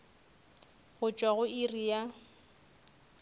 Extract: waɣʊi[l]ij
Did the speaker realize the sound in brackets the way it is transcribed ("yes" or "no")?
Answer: no